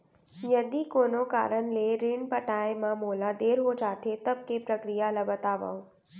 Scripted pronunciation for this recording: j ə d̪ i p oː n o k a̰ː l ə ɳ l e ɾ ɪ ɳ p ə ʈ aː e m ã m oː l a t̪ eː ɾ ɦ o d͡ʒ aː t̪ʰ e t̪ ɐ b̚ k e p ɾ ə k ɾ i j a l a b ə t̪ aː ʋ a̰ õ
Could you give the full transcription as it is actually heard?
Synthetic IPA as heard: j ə d̪ i k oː n o k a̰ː ɾ ə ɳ l e ɾ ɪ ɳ p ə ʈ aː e m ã m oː l a d̪ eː ɾ ɦ o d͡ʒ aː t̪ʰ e t̪ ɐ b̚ k e p ɾ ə k ɾ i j a l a b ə t̪ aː ʋ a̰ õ